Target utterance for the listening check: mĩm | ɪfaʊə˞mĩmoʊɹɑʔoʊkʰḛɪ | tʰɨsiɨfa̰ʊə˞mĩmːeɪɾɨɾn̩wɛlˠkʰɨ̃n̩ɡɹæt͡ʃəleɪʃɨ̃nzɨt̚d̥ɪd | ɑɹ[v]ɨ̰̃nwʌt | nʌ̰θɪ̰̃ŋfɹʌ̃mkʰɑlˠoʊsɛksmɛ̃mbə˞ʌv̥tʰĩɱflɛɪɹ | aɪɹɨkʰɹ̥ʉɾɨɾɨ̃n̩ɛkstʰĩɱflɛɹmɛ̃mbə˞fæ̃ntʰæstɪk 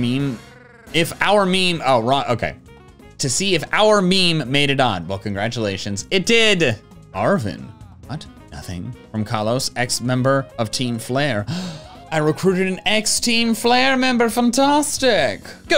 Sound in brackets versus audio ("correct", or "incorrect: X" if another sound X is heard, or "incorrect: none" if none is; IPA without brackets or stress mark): correct